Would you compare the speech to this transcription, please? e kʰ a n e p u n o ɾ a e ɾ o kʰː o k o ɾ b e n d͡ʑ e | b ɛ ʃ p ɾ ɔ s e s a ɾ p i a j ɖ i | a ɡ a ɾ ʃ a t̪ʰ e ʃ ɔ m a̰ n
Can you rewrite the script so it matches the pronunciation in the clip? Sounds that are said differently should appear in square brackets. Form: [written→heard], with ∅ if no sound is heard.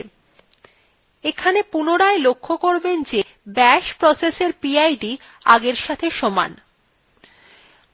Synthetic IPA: e kʰ a n e p u n o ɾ a e [ɾ→l] o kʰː o k o ɾ b e n d͡ʑ e | b ɛ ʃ p ɾ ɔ s e s [a→e] ɾ p i a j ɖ i | a ɡ [a→e] ɾ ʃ a t̪ʰ e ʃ ɔ m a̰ n